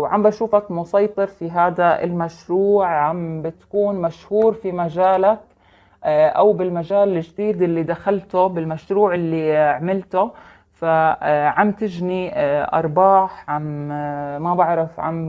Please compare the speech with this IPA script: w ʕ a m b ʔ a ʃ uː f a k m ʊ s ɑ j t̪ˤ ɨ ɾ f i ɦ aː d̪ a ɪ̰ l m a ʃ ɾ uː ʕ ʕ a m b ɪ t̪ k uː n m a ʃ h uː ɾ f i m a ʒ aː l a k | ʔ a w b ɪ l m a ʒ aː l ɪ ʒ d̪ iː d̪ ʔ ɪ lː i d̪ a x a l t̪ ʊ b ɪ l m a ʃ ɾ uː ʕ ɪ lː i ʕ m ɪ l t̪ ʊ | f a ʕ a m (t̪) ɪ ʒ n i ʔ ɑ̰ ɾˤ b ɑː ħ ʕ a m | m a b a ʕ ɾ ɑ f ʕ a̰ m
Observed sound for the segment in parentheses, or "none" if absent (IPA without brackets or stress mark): t̪